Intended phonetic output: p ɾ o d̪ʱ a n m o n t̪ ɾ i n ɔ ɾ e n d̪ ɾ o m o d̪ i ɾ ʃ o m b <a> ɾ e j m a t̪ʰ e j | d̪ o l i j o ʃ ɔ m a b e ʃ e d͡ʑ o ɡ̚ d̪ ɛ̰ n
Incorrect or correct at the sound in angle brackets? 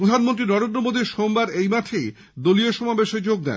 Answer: correct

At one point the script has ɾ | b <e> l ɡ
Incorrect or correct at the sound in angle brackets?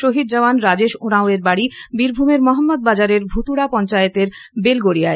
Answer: correct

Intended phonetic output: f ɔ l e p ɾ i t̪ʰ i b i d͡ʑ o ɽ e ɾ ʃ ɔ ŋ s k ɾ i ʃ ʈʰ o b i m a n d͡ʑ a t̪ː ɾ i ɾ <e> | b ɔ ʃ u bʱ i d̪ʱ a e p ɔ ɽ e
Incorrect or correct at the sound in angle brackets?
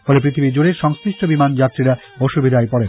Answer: incorrect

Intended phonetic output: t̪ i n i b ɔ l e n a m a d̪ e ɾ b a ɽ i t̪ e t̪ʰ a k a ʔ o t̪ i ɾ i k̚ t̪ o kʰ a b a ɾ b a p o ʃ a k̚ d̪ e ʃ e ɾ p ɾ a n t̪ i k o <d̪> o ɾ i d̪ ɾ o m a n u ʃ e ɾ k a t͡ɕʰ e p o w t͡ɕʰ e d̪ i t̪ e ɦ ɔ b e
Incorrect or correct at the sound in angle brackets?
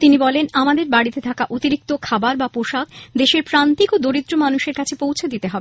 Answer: correct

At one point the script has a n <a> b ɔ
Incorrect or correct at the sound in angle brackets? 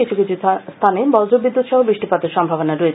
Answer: incorrect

